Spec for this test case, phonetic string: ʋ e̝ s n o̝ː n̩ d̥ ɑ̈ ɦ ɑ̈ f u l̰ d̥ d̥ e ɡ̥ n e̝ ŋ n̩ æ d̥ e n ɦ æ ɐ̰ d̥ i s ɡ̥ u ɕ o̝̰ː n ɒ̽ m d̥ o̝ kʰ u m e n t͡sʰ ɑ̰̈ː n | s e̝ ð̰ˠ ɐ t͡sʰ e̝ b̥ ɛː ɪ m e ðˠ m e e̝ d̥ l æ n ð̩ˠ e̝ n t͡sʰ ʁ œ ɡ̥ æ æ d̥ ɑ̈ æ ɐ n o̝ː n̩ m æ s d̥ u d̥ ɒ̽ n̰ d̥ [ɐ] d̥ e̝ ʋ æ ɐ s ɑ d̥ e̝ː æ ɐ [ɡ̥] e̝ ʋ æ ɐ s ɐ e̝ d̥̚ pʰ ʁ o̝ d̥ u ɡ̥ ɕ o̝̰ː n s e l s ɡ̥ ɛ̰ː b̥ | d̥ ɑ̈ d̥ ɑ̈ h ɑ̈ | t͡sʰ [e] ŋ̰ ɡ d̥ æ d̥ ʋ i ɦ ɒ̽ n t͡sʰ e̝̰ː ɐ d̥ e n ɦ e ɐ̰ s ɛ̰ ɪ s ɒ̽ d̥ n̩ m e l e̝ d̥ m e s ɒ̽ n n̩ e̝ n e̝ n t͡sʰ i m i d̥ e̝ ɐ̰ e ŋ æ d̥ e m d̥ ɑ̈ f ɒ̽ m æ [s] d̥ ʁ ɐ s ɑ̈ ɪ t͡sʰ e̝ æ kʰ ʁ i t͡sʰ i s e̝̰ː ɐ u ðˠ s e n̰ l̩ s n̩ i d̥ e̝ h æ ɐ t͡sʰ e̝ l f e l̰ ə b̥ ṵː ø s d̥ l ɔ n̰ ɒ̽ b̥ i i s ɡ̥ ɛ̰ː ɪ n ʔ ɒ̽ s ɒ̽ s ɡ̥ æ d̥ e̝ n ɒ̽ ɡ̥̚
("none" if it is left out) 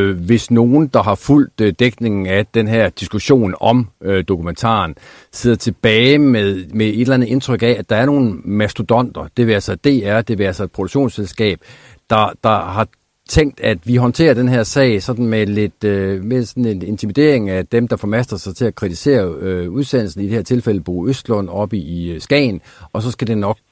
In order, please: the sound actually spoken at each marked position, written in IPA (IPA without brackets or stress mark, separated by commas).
ɐ, d̥, e, s